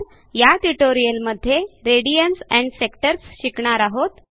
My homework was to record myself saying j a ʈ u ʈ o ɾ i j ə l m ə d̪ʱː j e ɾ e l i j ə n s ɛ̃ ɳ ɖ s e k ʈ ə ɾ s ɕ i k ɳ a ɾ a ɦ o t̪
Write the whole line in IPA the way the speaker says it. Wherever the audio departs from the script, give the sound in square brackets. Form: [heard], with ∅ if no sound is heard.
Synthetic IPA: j a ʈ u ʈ o ɾ i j ə l m ə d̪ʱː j e ɾ e [ɽ] i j ə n s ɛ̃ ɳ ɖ s e k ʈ ə ɾ s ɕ i k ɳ a ɾ a ɦ o t̪